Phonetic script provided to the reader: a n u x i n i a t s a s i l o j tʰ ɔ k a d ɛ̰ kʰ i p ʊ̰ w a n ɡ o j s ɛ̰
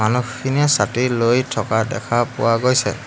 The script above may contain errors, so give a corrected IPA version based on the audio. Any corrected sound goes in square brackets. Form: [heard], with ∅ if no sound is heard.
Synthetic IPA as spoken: a n u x i n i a [∅] s a [t] i l o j tʰ ɔ k a d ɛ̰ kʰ [a] p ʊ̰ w a [∅] ɡ o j s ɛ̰